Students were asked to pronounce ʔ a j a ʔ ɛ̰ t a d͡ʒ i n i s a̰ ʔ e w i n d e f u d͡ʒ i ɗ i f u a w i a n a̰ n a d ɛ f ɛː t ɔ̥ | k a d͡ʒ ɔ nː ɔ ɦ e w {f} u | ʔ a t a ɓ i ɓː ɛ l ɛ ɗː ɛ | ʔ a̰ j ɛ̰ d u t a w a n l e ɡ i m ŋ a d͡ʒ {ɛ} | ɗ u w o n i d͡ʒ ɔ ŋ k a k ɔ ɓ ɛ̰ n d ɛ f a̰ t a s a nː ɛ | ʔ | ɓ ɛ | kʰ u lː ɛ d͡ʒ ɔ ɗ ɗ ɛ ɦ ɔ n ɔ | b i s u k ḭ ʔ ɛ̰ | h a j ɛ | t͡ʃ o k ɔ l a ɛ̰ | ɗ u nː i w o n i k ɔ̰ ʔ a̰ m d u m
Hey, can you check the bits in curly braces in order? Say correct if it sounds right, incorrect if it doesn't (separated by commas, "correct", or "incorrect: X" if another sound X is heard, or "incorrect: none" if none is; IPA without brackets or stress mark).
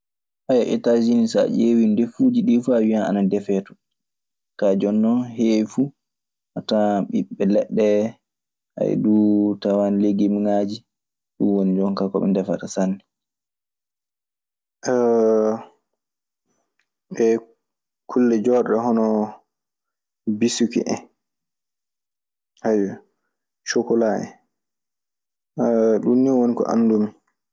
correct, incorrect: i